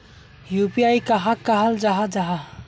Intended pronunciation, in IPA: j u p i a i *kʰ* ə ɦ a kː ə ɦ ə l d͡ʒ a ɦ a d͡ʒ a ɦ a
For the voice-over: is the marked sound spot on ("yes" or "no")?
no